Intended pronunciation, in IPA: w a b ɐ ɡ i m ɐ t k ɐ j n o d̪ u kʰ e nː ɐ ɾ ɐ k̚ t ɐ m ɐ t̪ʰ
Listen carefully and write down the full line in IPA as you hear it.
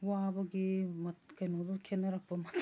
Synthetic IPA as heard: w a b ɐ ɡ i m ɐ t k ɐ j n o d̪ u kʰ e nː ɐ ɾ ɐ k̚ p ɐ m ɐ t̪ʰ